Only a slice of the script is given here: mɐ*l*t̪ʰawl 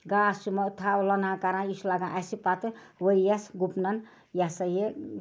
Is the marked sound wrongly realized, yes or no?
yes